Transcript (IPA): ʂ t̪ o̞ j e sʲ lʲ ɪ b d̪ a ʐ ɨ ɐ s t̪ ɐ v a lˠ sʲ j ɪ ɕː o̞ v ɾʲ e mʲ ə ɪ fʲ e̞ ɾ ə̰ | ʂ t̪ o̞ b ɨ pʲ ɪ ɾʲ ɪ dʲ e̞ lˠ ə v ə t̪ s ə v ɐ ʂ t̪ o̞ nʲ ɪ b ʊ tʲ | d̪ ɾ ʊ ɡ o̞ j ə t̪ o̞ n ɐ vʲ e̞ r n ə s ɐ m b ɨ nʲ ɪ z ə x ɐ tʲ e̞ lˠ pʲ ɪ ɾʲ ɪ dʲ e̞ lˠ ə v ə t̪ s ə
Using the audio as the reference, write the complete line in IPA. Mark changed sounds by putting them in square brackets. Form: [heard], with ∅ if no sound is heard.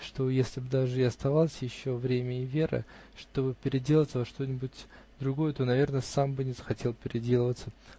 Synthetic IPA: ʂ t̪ o̞ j e sʲ lʲ ɪ b d̪ a ʐ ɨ ɐ s t̪ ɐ v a lˠ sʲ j ɪ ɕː o̞ v ɾʲ e mʲ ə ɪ [vʲ] e̞ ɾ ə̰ | ʂ t̪ o̞ b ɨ pʲ ɪ ɾʲ ɪ dʲ e̞ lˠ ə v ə t̪ s ə v ɐ ʂ t̪ o̞ nʲ ɪ b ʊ tʲ | d̪ ɾ ʊ ɡ o̞ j ə t̪ o̞ n ɐ vʲ e̞ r n ə s [a] m b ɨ nʲ ɪ z ə x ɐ tʲ e̞ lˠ pʲ ɪ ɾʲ ɪ dʲ e̞ lˠ ə v ə t̪ s ə